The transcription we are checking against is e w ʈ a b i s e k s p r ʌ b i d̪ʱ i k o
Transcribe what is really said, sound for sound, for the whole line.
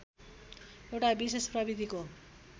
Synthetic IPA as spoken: e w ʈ a b i s e s p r ʌ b i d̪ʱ i k o